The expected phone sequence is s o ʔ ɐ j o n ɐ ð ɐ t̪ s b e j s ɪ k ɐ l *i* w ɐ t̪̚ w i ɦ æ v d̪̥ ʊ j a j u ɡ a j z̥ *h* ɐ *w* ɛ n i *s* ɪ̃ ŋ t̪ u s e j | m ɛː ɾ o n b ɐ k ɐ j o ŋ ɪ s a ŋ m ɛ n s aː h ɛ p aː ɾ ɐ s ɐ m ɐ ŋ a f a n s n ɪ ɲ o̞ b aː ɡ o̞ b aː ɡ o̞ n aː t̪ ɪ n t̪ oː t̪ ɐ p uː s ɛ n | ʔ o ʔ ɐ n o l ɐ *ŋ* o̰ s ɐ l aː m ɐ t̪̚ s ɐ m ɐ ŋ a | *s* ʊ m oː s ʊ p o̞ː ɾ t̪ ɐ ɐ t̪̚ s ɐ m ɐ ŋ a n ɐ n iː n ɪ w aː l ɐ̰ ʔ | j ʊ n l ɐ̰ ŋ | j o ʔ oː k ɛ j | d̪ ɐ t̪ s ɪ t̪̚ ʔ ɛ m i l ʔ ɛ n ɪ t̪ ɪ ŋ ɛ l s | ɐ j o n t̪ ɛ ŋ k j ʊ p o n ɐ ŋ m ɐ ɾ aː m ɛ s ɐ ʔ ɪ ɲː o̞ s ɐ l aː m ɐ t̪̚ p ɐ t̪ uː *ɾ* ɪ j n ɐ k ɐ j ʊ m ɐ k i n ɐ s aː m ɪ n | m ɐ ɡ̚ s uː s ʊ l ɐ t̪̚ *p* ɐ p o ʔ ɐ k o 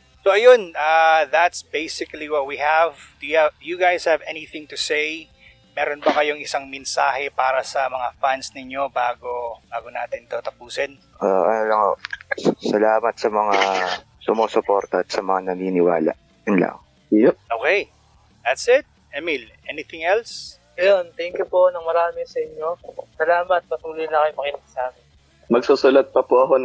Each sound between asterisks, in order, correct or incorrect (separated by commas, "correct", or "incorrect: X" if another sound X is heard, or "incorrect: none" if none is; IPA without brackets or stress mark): correct, correct, incorrect: v, incorrect: θ, correct, correct, incorrect: l, correct